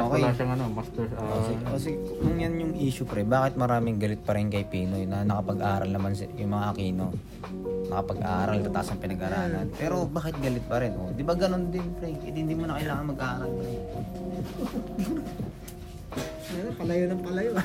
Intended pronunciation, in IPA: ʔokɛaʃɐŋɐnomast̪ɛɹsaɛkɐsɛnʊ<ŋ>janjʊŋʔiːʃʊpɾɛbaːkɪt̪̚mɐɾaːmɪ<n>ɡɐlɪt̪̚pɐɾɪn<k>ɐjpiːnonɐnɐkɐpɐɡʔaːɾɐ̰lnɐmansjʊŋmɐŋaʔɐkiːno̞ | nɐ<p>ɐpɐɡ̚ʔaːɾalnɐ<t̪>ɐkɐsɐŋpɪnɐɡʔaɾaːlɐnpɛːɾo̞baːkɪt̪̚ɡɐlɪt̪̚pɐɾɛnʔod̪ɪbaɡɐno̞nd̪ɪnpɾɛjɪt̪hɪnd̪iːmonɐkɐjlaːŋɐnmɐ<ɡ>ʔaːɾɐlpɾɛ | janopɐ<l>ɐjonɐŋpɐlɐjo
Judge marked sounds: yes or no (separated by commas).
yes, no, yes, no, yes, yes, yes